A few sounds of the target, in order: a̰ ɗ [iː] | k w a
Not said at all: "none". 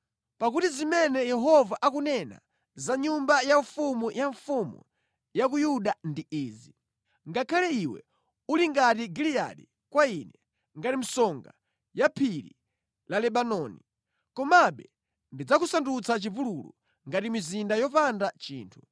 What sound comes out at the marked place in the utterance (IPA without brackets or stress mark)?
i